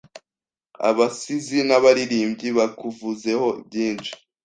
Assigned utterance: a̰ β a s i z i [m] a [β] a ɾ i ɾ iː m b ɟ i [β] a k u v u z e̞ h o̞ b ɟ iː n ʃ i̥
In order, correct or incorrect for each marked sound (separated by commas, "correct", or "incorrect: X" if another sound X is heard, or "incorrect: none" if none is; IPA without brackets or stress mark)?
incorrect: n, correct, correct